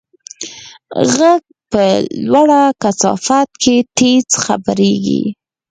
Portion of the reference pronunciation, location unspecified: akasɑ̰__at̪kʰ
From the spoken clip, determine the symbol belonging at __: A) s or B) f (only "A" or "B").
B